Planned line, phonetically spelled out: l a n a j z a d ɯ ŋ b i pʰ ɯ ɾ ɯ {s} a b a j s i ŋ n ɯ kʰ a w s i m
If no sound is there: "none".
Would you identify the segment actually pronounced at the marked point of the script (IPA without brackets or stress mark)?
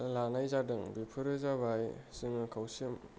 z